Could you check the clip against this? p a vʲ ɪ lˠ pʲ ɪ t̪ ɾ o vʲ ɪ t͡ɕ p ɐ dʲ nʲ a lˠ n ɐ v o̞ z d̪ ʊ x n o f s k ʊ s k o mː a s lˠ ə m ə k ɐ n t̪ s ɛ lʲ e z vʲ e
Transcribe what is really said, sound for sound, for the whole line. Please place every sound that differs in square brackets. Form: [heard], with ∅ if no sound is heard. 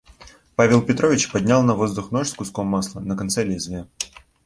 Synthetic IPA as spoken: p a vʲ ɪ lˠ pʲ ɪ t̪ ɾ o vʲ ɪ t͡ɕ p ɐ dʲ nʲ a lˠ n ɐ v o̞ z d̪ ʊ x n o [ʂ] s k ʊ s k o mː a s lˠ ə [n] ə k ɐ n t̪ s ɛ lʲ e z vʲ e